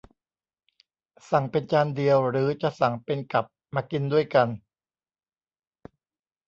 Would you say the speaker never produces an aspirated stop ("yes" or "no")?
yes